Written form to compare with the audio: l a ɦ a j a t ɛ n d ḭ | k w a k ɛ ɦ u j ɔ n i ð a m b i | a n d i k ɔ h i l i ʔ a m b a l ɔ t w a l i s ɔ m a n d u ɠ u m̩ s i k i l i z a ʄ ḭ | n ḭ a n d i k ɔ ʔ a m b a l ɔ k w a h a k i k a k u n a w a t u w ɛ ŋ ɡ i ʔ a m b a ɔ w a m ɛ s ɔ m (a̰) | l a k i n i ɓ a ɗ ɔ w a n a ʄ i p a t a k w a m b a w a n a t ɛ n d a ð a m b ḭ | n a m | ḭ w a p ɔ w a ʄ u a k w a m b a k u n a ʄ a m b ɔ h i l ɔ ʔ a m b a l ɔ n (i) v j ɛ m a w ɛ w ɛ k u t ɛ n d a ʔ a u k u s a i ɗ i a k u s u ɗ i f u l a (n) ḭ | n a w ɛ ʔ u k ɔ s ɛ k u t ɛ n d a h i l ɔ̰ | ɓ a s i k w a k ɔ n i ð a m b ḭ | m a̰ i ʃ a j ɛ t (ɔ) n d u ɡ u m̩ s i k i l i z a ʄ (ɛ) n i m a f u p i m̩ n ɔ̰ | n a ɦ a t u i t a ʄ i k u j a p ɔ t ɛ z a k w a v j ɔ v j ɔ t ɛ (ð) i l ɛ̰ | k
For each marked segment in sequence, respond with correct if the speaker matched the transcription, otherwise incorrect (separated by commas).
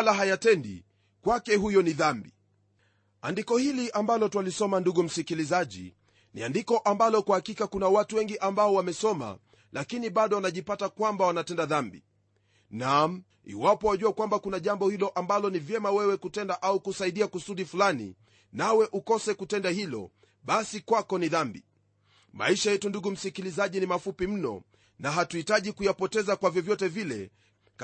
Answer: correct, correct, correct, incorrect, incorrect, incorrect